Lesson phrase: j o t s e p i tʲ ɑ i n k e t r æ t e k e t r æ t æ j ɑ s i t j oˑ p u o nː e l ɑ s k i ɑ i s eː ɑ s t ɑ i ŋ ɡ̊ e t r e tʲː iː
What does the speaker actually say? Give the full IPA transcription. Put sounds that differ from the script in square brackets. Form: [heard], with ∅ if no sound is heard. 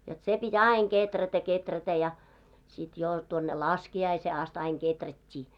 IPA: j o t s e p i tʲ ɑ i [ŋ] k e t r æ t [æ] k e t r æ t æ j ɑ s i t j oˑ [t] u o nː e l ɑ s k i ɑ i s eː ɑ s t ɑ i ŋ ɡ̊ e t r [æ] tʲː iː